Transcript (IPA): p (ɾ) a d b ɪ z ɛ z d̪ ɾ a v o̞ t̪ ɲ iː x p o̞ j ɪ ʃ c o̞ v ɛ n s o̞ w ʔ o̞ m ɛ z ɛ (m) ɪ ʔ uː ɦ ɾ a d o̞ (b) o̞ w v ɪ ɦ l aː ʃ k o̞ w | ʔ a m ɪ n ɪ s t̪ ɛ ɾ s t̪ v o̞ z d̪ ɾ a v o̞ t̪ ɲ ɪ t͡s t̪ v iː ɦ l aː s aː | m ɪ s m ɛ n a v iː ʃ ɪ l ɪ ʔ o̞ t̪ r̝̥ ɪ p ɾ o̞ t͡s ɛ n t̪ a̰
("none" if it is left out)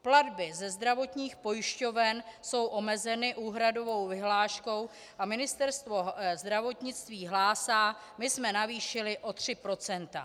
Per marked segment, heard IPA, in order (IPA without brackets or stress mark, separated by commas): l, n, v